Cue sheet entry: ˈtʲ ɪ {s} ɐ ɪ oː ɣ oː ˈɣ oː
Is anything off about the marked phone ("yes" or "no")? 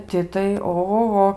yes